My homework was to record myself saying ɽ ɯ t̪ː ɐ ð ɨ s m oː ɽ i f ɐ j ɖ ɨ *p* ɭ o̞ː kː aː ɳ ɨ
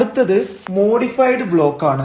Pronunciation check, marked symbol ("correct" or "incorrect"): incorrect